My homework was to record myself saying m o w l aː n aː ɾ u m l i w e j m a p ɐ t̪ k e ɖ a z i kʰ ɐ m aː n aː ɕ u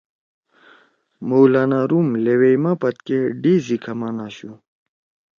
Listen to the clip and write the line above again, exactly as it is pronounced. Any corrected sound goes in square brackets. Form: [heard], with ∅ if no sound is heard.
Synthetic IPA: m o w l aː n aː ɾ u m l [e] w e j m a p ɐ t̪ k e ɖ [i] z i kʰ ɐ m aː n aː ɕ u